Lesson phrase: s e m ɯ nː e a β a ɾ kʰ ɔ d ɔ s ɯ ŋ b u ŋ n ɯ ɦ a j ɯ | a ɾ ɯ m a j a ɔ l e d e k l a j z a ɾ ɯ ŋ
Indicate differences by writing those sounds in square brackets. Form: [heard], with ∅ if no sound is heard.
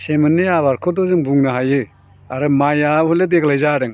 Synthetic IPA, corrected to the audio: s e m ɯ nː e a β a ɾ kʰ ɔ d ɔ [z] ɯ ŋ b u ŋ n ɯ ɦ a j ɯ | a ɾ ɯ m a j a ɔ l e d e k l a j z a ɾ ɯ ŋ

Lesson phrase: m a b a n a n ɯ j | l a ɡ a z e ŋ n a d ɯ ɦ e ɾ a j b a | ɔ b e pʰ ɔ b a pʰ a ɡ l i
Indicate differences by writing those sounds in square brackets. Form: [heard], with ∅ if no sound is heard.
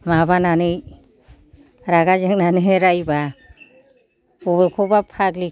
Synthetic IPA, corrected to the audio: m a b a n a n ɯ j | [ɾ] a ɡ a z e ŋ n a [n] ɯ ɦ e ɾ a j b a | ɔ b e [kʰ] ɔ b a pʰ a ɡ l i

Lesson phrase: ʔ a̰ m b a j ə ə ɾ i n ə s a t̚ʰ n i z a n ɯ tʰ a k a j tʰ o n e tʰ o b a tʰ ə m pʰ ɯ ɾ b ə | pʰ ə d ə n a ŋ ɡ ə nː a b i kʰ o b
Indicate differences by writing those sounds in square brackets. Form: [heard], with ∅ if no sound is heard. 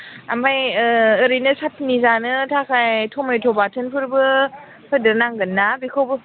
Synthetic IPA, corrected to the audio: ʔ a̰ m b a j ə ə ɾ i n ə s a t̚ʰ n i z a n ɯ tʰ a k a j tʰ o [m] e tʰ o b a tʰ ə [n] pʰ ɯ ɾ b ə | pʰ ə d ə n a ŋ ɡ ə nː a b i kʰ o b

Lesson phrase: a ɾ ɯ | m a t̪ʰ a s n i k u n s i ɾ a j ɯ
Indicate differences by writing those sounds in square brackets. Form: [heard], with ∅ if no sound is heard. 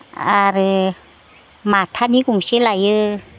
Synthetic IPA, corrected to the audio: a ɾ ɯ | m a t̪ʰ a [∅] n i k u [ŋ] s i [l] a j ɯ

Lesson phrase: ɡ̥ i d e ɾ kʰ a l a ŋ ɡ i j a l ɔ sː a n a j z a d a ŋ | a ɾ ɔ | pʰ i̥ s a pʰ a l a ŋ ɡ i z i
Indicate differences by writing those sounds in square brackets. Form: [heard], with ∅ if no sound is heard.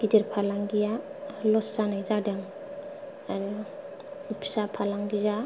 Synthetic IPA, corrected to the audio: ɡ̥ i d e ɾ [pʰ] a l a ŋ ɡ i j a l ɔ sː a n a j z a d a ŋ | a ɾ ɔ | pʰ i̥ s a pʰ a l a ŋ ɡ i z [a]

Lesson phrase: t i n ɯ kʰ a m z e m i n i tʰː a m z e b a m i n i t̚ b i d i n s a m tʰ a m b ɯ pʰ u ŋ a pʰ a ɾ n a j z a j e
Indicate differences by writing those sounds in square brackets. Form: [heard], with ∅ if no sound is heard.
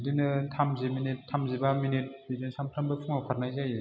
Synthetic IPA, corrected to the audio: [d] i n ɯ [tʰ] a m z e m i n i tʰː a m z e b a m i n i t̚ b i d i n s a m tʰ a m b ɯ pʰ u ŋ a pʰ a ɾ n a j z a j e

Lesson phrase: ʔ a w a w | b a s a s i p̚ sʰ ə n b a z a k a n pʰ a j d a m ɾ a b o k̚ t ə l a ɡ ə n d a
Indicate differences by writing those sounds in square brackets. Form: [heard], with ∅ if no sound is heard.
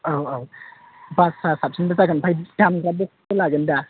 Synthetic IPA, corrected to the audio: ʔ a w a w | b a s a s [a] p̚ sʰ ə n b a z a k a n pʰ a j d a m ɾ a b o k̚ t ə l a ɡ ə n d a

